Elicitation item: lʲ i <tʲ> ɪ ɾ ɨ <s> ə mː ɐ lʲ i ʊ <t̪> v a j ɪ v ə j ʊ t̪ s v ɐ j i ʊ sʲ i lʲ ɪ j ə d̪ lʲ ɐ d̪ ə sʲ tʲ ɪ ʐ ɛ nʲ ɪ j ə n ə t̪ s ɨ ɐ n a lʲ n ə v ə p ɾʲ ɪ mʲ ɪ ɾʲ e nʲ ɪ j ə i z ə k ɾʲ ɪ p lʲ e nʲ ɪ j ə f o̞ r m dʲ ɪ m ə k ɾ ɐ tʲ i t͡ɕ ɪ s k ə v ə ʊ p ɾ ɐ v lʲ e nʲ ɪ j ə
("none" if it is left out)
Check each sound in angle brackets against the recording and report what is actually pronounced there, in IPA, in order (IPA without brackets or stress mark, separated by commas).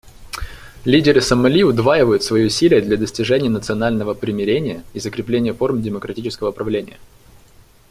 dʲ, s, d̪